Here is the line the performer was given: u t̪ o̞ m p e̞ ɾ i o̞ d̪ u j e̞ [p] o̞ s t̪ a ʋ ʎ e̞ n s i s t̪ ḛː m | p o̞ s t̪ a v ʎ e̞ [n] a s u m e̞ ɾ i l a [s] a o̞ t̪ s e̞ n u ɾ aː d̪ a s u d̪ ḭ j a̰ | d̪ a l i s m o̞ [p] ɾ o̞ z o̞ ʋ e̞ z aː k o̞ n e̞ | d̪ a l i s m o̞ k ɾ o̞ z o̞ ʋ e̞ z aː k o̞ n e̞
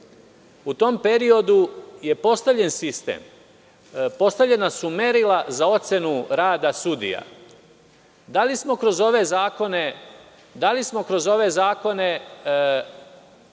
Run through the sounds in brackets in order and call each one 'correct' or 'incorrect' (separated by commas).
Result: correct, correct, incorrect, incorrect